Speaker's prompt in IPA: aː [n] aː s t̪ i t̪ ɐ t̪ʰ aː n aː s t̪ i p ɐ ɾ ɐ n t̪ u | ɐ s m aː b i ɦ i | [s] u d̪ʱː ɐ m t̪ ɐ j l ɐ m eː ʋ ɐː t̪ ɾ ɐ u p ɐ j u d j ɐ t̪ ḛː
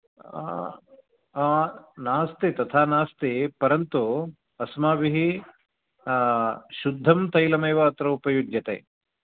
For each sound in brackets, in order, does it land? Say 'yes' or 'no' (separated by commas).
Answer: yes, no